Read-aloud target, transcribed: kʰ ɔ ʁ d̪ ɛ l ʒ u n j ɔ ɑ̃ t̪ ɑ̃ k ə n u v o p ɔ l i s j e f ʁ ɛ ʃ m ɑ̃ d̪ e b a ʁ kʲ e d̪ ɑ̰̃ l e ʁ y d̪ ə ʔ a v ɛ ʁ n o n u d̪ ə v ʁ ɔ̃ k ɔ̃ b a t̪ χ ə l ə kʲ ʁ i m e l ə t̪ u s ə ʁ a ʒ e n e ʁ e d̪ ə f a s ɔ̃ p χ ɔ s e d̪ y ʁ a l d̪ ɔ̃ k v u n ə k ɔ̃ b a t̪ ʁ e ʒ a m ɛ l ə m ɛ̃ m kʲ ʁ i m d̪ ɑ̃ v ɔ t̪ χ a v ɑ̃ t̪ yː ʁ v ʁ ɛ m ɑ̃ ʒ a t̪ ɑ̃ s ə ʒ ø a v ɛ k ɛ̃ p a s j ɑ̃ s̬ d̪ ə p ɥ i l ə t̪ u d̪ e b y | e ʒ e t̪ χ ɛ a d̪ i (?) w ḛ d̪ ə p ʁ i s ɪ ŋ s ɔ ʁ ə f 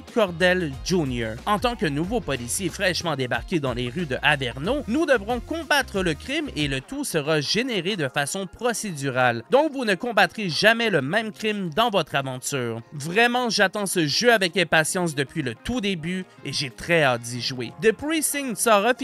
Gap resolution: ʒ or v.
ʒ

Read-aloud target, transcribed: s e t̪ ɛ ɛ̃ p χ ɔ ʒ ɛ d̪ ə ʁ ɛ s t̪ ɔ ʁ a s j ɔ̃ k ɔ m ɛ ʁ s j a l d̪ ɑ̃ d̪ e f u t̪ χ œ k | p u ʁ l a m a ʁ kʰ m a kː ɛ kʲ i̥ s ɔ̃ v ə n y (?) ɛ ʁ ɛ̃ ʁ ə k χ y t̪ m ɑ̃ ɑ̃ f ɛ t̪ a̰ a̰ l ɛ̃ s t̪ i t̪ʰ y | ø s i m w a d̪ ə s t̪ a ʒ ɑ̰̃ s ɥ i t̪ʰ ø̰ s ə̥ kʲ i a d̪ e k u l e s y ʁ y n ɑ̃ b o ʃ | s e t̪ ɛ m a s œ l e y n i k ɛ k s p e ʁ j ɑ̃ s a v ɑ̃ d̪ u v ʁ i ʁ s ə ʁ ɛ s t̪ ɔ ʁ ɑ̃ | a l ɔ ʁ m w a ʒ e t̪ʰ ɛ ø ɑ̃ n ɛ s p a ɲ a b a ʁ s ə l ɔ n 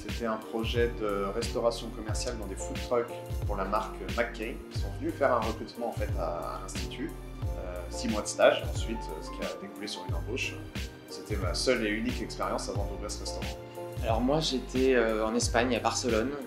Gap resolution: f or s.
f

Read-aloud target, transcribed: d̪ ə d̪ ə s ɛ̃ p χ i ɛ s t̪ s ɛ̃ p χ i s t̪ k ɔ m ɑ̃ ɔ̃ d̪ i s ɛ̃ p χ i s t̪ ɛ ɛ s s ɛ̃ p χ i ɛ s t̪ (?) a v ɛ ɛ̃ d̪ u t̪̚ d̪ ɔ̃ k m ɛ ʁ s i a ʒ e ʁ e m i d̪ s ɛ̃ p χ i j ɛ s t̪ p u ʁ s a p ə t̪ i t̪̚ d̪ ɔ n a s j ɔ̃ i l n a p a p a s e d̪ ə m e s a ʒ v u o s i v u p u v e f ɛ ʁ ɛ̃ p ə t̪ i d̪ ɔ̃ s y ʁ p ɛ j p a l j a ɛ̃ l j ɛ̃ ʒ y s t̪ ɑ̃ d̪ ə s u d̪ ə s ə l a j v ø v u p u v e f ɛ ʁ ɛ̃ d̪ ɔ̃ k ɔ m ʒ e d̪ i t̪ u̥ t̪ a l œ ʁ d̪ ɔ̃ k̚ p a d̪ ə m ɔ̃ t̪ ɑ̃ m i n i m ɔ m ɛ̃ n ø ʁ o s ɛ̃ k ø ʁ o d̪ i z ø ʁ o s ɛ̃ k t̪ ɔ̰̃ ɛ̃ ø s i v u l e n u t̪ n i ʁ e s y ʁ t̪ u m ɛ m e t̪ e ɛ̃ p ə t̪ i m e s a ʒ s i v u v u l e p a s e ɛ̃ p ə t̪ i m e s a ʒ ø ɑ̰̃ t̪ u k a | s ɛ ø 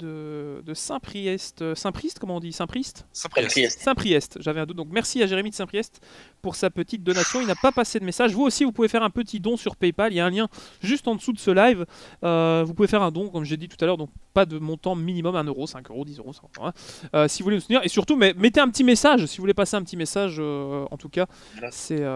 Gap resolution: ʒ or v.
ʒ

